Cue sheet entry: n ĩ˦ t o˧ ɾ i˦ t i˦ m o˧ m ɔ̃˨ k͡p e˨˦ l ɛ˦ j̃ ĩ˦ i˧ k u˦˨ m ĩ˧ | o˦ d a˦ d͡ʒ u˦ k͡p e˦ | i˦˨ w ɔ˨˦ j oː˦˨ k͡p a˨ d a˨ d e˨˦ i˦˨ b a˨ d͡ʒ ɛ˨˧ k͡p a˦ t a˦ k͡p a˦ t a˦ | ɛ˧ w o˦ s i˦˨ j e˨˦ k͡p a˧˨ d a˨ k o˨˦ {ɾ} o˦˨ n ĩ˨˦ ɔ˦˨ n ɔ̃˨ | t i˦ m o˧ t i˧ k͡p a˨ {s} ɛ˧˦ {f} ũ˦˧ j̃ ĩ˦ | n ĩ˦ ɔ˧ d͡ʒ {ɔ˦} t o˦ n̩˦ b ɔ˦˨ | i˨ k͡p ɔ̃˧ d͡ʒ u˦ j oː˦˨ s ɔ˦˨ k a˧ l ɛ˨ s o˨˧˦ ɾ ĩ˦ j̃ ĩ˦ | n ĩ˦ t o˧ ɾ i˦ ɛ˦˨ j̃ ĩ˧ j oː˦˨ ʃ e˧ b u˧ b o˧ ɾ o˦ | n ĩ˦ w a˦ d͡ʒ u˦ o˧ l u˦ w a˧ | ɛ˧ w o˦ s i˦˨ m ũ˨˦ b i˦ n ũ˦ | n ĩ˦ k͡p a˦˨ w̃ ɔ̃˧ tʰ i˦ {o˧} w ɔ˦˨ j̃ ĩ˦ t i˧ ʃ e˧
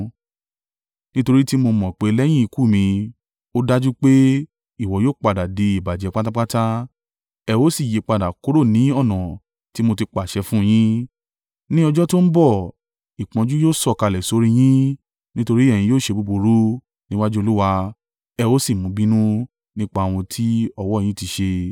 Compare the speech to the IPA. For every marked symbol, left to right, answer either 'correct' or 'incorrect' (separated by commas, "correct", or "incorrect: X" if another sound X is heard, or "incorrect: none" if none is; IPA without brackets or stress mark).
correct, incorrect: ʃ, correct, correct, incorrect: ɔ˧